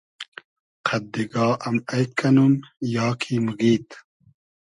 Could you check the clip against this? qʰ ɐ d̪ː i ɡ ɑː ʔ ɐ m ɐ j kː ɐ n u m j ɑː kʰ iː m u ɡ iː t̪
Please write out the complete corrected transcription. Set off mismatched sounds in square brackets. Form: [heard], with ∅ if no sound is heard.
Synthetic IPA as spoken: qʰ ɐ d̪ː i ɡ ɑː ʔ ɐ m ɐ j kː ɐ n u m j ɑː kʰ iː m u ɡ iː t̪

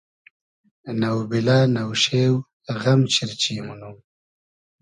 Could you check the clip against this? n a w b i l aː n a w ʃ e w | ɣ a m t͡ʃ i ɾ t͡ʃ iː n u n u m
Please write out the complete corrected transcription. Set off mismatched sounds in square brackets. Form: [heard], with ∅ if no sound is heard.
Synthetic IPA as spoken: n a w b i l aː n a w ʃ e w | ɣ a m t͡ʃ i ɾ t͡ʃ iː [m] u n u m

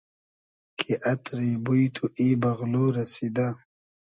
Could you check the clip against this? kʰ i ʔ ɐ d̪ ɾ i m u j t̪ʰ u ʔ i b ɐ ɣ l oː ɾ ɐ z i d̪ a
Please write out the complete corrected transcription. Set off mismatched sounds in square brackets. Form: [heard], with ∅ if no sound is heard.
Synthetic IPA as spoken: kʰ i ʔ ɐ [t̪] ɾ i [b] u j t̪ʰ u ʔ i b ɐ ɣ l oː ɾ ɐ [s] i d̪ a

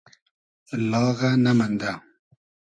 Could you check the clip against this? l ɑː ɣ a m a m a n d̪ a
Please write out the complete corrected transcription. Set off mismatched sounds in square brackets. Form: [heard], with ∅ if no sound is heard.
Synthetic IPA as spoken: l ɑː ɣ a [n] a m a n d̪ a

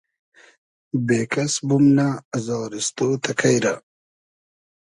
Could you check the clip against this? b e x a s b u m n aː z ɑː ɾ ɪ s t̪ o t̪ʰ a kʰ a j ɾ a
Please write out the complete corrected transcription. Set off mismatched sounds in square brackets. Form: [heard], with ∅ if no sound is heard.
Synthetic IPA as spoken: b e [k] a s b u m n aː z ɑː ɾ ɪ s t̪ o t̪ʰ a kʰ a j ɾ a

